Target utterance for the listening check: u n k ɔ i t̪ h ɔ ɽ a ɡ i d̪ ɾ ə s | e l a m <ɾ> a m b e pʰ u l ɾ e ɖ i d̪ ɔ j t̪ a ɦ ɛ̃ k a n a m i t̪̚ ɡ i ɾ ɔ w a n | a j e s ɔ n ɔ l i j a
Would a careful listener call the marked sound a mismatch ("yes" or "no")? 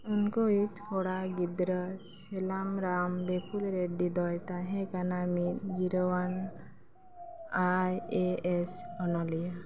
no